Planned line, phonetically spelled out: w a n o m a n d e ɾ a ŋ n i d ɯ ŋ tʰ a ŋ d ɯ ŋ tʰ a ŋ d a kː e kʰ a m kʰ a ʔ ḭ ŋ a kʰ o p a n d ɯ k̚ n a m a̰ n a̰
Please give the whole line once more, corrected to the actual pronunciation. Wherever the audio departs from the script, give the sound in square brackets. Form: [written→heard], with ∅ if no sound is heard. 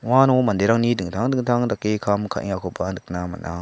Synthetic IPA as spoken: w a n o m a n d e ɾ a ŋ n i d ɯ ŋ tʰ a ŋ d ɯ ŋ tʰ a ŋ d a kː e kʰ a m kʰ a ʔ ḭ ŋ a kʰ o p a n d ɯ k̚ n a m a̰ n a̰